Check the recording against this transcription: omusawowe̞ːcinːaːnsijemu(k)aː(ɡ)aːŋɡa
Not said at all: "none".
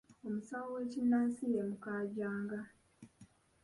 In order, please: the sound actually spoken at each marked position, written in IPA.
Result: k, ɟ

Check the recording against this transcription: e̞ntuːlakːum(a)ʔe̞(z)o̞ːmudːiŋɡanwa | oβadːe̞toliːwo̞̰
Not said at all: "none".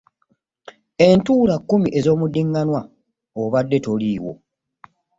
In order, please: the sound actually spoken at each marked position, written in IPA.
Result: i, z

